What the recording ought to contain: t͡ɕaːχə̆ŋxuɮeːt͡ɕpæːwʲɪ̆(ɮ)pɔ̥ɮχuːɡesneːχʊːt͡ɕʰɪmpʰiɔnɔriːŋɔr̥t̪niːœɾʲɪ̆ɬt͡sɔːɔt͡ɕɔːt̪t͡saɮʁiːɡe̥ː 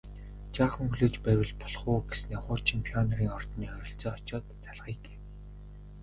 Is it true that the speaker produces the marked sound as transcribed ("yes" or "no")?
yes